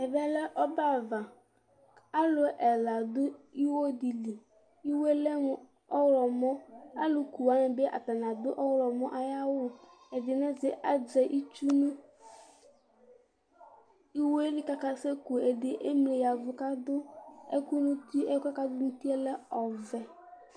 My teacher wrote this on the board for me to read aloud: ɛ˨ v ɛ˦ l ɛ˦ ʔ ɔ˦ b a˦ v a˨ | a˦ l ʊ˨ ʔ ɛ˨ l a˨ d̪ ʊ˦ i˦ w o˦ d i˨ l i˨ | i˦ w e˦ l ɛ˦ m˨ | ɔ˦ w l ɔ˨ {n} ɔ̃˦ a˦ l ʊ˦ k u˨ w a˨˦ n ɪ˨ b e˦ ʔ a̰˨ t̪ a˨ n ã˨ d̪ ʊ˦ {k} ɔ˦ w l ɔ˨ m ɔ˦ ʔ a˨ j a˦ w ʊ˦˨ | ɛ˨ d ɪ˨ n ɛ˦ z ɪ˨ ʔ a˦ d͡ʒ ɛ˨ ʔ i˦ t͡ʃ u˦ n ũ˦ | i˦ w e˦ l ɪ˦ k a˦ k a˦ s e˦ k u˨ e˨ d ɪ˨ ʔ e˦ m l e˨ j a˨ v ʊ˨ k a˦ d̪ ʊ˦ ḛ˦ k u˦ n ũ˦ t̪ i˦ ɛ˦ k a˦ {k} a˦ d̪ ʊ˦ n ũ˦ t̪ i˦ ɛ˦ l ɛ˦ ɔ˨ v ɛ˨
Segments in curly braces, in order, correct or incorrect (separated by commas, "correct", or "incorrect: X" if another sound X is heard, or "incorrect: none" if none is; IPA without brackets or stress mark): incorrect: m, incorrect: ʔ, correct